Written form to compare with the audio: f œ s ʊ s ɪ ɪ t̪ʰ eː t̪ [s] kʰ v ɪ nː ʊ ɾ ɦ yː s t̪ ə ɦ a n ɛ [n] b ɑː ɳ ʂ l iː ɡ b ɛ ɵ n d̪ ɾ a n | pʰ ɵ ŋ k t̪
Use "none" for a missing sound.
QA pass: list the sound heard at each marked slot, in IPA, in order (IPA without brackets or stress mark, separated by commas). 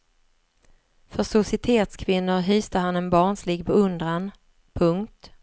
s, n